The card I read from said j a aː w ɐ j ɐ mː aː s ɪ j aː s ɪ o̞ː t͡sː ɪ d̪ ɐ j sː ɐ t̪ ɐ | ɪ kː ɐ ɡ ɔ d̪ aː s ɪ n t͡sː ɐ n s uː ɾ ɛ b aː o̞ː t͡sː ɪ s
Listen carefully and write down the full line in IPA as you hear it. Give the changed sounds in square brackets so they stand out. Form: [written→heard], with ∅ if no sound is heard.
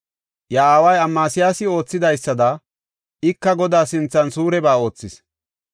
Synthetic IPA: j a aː w ɐ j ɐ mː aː s ɪ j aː s ɪ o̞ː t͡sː ɪ d̪ ɐ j sː ɐ [t̪→d̪] ɐ | ɪ kː ɐ ɡ ɔ d̪ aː s ɪ n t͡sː ɐ n s uː ɾ ɛ b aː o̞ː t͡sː ɪ s